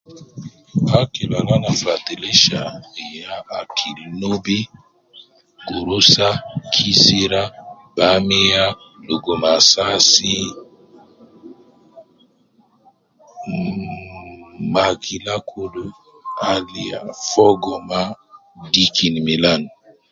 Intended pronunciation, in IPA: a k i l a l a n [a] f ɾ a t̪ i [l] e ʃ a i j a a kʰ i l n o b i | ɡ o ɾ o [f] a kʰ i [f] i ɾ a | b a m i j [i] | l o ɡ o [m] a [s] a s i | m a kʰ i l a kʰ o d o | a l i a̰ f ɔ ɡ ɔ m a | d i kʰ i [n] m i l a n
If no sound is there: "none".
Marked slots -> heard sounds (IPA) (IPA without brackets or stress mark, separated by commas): a, l, s, s, a, m, s, n